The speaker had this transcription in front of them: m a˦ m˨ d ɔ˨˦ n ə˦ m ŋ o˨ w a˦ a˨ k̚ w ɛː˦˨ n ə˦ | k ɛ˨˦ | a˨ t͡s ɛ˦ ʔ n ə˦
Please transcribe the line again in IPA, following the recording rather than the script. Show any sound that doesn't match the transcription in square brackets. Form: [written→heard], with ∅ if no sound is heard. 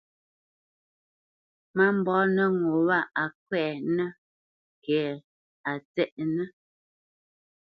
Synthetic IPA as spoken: m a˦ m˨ [d→b] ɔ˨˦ n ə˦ [m→∅] ŋ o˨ w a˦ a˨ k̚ w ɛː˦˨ n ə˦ | k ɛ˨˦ | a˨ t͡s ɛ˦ ʔ n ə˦